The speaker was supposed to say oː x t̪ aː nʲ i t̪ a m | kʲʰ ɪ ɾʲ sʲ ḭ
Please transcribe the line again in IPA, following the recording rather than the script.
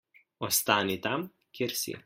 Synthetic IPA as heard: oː s t̪ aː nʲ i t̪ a m | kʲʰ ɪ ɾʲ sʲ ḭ